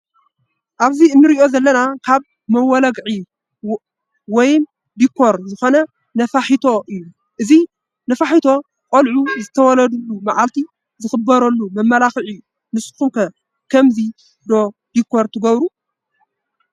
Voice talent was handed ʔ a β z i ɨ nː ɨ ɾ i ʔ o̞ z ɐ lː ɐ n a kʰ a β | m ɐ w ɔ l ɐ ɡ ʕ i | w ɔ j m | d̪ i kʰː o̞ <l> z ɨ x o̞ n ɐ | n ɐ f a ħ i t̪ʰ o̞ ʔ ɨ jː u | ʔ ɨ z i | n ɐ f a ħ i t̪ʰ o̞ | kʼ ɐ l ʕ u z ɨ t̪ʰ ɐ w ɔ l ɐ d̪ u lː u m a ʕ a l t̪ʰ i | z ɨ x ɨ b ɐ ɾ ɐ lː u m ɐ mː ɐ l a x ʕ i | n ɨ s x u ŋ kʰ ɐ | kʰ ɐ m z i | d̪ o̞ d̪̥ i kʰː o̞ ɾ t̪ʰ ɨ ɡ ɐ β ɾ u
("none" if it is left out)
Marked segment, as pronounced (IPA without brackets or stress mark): ɾ